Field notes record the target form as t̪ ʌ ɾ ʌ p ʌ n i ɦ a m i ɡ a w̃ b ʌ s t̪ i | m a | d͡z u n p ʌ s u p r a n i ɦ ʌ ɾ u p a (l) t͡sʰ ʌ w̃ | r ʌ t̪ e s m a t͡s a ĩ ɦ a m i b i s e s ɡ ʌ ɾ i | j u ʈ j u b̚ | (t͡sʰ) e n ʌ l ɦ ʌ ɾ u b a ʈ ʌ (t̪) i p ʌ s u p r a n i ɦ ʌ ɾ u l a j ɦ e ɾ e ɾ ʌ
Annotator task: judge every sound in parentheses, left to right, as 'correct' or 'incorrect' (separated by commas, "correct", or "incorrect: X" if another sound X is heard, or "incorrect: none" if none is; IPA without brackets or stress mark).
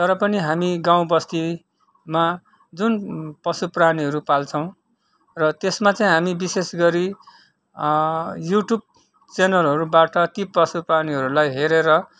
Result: correct, incorrect: t͡s, correct